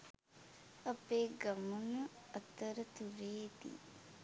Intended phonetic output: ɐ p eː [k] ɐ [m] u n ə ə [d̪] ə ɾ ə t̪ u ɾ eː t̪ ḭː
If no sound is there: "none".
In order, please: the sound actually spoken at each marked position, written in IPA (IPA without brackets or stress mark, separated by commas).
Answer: ɡ, m, t̪